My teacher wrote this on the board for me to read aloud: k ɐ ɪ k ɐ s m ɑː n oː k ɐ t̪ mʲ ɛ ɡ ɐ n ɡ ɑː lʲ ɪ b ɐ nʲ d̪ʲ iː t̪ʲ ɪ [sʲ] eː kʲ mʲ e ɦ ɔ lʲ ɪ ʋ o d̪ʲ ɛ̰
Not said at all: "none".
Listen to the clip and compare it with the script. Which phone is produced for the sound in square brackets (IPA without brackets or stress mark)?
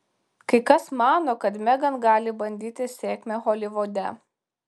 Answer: sʲ